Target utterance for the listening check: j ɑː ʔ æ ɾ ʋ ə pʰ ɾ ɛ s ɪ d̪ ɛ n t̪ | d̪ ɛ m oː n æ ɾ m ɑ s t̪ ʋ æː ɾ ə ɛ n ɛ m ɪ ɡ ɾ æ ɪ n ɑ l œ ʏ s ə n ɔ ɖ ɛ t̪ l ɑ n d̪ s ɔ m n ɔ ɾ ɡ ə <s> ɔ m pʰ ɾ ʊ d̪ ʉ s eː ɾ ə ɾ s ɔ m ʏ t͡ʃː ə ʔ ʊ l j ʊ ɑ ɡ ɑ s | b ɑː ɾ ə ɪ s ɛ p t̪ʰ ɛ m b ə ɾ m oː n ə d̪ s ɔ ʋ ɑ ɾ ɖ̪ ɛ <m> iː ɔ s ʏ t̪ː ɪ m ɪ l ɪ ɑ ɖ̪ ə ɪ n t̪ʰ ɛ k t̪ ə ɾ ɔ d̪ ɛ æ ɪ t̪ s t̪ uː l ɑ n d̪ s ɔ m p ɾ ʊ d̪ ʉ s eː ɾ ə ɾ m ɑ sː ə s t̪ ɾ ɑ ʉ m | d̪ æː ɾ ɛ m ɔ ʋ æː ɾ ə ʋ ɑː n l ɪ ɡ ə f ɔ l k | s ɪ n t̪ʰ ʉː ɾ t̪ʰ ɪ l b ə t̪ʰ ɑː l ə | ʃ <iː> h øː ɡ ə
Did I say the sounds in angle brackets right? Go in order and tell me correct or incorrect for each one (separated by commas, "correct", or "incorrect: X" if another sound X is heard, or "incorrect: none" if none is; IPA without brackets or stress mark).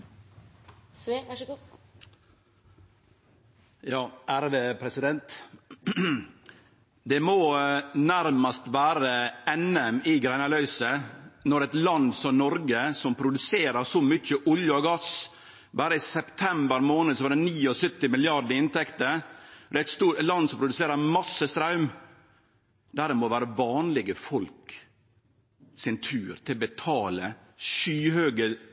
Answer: correct, incorrect: n, incorrect: yː